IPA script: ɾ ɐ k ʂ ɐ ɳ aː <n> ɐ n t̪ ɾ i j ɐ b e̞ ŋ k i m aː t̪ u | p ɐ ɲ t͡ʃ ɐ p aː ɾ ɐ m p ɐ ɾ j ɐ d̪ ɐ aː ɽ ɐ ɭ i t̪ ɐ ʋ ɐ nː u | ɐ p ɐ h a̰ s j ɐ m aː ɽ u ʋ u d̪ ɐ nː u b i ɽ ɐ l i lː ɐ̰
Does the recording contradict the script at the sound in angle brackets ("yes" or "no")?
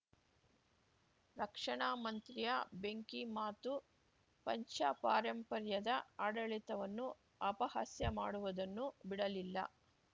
yes